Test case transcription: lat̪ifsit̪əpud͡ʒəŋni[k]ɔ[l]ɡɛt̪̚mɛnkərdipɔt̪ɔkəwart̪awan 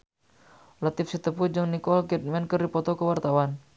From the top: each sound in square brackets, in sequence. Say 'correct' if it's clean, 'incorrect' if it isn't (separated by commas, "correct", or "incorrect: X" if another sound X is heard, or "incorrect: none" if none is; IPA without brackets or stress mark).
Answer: correct, correct